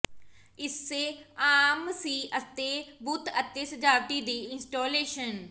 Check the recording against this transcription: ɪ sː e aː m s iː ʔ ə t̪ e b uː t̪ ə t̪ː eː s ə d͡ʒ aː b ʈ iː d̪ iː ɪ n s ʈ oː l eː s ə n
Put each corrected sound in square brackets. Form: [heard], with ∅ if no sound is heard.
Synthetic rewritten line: ɪ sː e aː m s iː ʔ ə t̪ e b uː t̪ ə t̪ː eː s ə d͡ʒ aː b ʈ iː d̪ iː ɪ n s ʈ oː l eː [ʃ] ə n